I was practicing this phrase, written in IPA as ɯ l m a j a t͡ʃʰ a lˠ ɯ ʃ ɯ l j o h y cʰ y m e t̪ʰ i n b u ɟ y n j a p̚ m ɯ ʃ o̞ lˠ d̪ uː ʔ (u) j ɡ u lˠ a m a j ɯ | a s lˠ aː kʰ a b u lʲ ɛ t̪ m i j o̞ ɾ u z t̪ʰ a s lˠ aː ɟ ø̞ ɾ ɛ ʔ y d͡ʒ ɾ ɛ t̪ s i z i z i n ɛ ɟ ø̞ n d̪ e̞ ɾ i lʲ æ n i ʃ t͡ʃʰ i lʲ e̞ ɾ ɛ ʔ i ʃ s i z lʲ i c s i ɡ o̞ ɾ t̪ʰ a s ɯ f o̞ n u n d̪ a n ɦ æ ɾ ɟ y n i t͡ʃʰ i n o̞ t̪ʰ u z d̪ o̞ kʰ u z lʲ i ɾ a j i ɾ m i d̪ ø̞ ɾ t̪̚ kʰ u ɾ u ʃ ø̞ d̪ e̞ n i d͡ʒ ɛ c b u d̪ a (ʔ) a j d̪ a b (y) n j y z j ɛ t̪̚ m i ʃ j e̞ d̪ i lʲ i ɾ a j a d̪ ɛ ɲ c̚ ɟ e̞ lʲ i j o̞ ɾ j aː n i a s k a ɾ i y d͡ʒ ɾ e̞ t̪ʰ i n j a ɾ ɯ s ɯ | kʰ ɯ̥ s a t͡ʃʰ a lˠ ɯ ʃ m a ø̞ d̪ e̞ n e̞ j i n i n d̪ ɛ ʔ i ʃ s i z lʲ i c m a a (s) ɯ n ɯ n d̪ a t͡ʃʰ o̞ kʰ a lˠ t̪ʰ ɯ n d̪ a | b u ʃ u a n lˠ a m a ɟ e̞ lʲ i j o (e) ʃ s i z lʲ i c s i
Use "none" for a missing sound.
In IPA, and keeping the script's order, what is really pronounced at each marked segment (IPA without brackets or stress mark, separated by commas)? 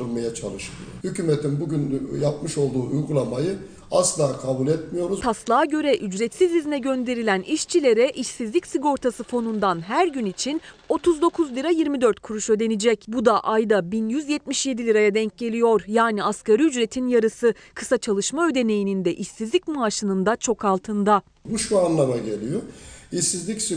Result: u, ʔ, i, ʃ, i